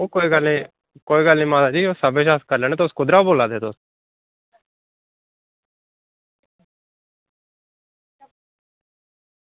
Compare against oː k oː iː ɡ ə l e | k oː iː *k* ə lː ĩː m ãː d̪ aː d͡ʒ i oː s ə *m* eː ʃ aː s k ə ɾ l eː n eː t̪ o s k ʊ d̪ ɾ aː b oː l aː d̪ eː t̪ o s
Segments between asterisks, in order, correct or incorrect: incorrect: ɡ, incorrect: b

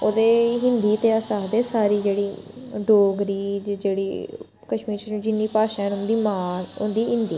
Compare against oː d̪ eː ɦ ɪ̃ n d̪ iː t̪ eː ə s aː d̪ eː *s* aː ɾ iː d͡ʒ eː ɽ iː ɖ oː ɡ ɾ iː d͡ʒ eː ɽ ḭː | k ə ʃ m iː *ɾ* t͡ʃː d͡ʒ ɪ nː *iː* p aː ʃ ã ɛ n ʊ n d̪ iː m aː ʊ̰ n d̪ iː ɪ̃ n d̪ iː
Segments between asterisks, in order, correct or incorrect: correct, correct, correct

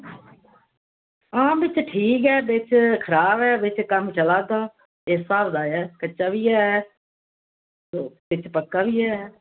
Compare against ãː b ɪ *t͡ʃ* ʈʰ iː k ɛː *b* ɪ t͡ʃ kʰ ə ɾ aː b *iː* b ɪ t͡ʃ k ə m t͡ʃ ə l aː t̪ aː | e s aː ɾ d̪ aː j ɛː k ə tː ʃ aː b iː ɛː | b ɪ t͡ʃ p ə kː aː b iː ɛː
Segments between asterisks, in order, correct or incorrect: correct, correct, incorrect: ɛː

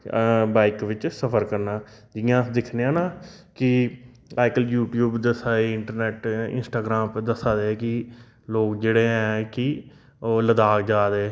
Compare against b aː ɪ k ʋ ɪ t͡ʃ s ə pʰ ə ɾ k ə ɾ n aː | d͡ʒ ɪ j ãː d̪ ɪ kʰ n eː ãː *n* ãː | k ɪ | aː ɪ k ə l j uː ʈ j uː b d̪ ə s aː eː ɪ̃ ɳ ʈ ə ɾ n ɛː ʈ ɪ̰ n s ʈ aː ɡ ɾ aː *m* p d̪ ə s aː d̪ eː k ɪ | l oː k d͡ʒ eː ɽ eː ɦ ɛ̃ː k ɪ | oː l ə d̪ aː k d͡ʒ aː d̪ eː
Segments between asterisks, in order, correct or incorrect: correct, correct

